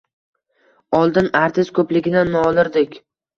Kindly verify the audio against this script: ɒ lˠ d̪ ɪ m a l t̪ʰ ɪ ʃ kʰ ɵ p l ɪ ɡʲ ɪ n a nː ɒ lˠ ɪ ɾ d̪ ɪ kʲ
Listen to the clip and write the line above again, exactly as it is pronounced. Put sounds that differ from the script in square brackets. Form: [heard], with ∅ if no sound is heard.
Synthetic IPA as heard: ɒ lˠ d̪ ɪ [n] a [ɾ] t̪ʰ ɪ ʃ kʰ ɵ p l ɪ ɡʲ ɪ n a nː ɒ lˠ ɪ ɾ d̪ ɪ kʲ

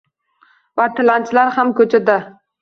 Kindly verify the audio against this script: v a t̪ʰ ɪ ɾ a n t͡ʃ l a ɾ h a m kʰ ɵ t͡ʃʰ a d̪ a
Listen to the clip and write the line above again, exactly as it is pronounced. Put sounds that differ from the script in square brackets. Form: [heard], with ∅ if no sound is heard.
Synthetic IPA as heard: v a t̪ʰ ɪ [l] a n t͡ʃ l a ɾ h a m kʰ ɵ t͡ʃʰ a d̪ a

